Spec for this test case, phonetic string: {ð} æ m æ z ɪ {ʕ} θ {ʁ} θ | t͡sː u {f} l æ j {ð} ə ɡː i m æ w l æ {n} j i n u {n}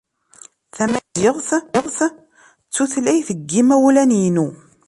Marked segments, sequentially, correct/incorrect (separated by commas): incorrect, incorrect, correct, incorrect, incorrect, correct, incorrect